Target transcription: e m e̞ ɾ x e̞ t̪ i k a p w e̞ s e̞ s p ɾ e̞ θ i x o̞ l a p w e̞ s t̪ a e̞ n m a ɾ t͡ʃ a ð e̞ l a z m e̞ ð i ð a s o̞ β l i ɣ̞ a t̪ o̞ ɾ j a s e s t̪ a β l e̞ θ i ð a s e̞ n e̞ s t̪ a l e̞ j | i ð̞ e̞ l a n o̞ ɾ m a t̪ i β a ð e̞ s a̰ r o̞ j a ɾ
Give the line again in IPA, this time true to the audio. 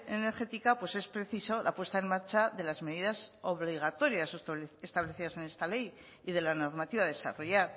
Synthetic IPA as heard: e n e̞ ɾ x e̞ t̪ i k a p w e̞ s e̞ s p ɾ e̞ θ i s o̞ l a p w e̞ s t̪ a e̞ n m a ɾ t͡ʃ a ð e̞ l a z m e̞ ð i ð a s o̞ β l i ɣ̞ a t̪ o̞ ɾ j a s e s t̪ a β l e̞ θ i ð a s e̞ n e̞ s t̪ a l e̞ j | i ð̞ e̞ l a n o̞ ɾ m a t̪ i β a ð e̞ s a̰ r o̞ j a ɾ